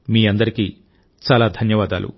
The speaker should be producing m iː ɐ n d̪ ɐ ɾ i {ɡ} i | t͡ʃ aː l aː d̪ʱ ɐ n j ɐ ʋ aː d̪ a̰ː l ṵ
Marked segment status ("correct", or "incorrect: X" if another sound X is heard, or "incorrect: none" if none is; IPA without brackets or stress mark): incorrect: k